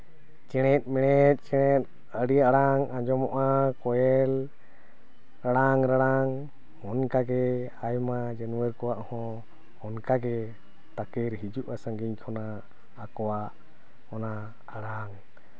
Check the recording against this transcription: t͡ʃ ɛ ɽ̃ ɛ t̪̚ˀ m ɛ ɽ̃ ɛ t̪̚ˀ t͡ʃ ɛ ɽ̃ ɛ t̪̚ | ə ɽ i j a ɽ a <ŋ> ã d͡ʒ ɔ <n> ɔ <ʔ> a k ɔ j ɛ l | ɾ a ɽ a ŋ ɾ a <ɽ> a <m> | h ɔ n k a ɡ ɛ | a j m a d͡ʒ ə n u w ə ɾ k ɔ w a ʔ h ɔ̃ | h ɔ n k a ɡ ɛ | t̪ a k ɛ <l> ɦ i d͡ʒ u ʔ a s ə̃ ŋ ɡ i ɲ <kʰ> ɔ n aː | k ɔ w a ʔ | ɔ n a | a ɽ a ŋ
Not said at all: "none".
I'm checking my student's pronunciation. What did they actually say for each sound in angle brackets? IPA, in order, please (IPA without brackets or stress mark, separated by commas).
ŋ, m, ʔ, ɽ, ŋ, ɾ, kʰ